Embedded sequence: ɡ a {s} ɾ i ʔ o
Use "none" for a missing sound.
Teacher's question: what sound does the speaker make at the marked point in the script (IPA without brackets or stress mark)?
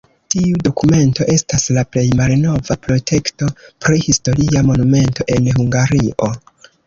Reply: none